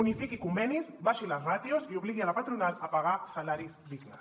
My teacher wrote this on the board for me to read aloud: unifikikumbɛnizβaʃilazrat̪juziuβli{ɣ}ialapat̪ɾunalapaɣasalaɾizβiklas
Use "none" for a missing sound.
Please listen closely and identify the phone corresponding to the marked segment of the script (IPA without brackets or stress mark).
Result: ɣ